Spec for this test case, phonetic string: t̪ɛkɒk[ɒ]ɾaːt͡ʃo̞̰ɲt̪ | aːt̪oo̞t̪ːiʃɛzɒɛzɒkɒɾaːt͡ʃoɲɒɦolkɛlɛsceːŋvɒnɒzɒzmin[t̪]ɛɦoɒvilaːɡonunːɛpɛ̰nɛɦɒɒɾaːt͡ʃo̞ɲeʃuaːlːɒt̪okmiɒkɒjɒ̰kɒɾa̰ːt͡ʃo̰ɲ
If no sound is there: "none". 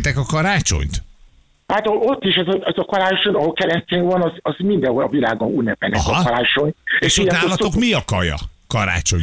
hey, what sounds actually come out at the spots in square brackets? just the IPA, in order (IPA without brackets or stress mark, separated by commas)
ɒ, d̪